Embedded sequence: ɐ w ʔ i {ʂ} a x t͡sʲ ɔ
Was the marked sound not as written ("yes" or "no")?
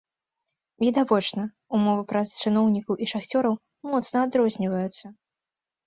no